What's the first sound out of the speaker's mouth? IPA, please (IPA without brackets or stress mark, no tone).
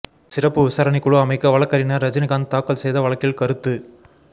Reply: s